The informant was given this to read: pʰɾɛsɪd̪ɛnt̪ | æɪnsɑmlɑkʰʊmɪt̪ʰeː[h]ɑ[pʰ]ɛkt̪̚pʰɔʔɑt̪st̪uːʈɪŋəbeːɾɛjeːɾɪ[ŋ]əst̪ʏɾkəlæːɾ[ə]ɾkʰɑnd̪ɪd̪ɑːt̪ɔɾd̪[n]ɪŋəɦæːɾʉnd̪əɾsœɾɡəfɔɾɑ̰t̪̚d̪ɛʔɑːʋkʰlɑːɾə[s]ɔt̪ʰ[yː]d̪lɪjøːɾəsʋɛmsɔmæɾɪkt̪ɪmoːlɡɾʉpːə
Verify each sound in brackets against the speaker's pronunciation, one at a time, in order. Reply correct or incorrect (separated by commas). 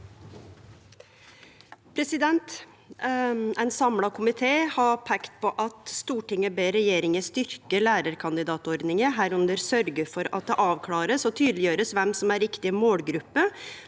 correct, correct, correct, correct, correct, correct, correct